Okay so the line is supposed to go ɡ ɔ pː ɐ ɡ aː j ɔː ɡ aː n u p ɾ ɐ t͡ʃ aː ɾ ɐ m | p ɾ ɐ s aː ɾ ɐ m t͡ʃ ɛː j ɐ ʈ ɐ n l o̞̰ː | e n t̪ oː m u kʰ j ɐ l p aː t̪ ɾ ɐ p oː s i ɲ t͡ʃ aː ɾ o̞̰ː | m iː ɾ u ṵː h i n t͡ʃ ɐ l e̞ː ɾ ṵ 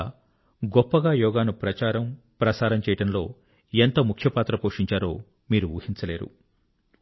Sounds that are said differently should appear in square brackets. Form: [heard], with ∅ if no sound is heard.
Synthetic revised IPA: ɡ ɔ pː ɐ ɡ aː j ɔː ɡ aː n u p ɾ ɐ t͡ʃ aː ɾ ɐ m | p ɾ ɐ s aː ɾ ɐ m t͡ʃ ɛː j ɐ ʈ ɐ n l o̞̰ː | e n t̪ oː m u kʰ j ɐ [∅] p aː t̪ ɾ ɐ p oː [ʂ] i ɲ t͡ʃ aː ɾ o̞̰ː | m iː ɾ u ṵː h i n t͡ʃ ɐ l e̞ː ɾ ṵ